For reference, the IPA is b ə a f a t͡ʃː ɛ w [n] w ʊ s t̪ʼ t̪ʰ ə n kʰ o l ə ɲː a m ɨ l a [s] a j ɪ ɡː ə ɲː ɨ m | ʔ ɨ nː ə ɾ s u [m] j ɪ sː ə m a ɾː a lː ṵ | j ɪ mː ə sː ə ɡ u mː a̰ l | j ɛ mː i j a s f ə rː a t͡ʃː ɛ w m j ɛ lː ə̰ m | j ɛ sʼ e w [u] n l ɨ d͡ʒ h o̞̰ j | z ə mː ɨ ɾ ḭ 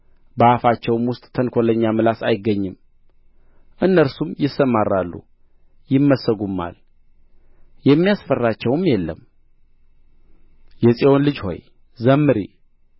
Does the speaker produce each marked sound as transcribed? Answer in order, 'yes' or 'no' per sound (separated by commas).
no, yes, yes, no